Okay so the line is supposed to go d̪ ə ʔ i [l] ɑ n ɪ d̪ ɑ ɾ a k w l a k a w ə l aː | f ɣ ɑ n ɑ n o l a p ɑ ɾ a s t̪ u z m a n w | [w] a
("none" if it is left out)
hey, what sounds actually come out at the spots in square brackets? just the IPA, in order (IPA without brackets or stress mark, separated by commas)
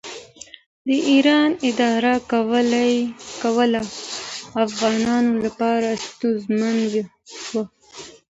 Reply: ɾ, w